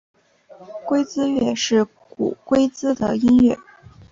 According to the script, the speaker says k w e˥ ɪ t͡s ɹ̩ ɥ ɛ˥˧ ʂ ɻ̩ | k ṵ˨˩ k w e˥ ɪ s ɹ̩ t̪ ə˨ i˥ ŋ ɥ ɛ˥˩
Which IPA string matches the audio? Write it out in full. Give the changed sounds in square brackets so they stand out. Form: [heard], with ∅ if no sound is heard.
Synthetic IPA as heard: k w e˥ ɪ t͡s ɹ̩ ɥ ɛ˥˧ ʂ ɻ̩ | k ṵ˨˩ k w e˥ ɪ [t͡s] ɹ̩ [d̪] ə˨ i˥ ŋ ɥ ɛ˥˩